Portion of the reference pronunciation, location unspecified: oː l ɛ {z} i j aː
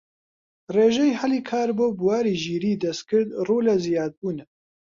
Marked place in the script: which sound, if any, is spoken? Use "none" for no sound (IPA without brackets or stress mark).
z